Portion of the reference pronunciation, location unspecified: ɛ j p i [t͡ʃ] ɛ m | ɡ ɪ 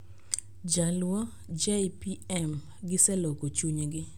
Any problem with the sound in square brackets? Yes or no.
yes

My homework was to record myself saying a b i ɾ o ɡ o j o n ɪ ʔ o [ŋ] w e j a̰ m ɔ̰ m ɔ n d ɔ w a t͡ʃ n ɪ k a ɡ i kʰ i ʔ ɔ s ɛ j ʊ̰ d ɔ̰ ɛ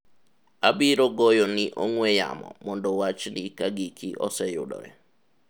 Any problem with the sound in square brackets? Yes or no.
no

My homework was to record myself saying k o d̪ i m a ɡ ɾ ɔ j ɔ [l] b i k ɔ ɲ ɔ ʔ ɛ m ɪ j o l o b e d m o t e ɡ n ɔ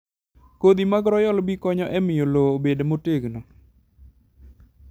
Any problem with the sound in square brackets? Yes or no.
no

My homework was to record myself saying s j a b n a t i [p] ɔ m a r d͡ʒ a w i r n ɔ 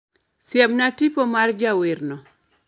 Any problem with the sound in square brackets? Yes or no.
no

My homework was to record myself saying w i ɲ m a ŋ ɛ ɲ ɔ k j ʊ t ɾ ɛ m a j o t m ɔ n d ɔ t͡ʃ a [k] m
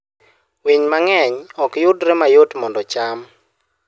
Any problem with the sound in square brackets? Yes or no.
yes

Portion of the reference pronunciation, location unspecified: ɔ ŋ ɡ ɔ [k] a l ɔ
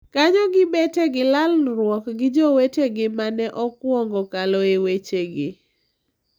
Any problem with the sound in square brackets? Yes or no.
no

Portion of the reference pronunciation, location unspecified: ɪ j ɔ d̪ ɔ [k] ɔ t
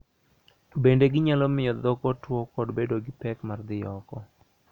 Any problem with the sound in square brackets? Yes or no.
no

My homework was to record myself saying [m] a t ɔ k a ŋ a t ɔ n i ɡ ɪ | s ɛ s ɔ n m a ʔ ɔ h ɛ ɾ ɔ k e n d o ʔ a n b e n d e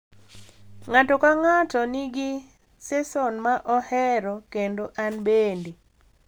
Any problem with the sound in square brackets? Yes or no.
yes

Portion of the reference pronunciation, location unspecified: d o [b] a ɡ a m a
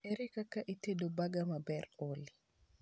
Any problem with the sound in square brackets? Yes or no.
no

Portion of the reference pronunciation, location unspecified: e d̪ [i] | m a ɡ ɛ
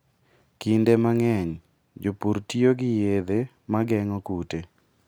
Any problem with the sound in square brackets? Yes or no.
yes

